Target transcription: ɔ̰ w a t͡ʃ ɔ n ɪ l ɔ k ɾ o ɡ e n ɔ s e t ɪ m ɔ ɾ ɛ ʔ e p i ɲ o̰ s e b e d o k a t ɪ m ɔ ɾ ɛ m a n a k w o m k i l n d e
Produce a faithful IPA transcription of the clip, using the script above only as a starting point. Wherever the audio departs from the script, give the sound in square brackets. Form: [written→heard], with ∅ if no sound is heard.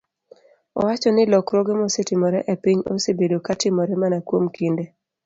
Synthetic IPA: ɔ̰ w a t͡ʃ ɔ n ɪ l ɔ k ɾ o ɡ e [n→m] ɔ s e t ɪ m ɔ ɾ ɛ ʔ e p i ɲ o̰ s e b e d o k a t ɪ m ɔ ɾ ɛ m a n a k w o m k i [l→∅] n d e